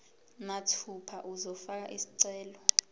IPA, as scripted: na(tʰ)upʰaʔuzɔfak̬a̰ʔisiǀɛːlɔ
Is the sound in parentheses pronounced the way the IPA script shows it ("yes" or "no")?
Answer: yes